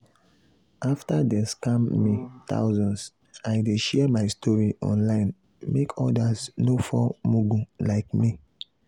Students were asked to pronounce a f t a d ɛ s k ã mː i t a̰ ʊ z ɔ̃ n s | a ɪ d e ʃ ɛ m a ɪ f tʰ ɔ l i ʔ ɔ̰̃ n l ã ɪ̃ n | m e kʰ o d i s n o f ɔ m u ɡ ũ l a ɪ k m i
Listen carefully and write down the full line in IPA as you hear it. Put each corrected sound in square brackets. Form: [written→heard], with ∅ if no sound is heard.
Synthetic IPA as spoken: a f t a d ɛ s k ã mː i t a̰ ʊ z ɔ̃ n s | a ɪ d e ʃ ɛ m a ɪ [f→s] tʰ ɔ [l→ɹ] i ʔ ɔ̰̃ n l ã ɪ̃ n | m e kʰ [o→ɔ] d [i→a] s n o f ɔ m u ɡ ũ l a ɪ k m i